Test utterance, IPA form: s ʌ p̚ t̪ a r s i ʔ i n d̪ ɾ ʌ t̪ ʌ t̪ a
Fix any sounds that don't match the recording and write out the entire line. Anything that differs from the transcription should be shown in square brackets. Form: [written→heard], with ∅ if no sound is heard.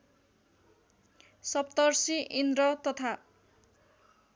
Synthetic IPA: s ʌ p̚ t̪ [a→ʌ] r s i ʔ i n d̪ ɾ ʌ t̪ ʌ [t̪→t̪ʰ] a